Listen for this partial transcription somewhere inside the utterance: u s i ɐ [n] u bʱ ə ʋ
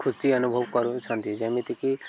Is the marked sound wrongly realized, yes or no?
no